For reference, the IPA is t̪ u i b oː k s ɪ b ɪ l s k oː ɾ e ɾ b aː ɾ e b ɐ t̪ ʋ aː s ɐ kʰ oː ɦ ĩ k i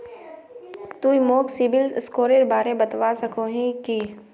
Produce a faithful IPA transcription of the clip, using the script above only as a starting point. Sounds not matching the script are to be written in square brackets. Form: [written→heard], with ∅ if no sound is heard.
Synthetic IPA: t̪ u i [b→m] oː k s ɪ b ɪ l s k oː ɾ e ɾ b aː ɾ e b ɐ t̪ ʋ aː s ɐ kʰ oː ɦ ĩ k i